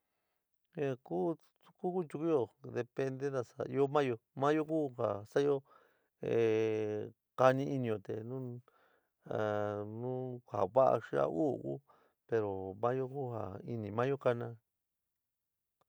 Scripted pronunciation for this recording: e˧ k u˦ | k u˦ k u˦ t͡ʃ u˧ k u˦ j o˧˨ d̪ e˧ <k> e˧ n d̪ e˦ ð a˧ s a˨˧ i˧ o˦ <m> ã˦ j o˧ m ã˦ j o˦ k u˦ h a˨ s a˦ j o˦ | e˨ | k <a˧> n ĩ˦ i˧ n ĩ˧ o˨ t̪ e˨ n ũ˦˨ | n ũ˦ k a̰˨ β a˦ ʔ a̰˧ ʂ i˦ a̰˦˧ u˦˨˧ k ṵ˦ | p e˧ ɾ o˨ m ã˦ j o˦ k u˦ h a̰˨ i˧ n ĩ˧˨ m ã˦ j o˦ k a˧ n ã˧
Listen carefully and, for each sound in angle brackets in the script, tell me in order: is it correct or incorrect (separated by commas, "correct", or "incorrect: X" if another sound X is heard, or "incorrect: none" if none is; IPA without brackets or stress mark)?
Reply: incorrect: p, correct, correct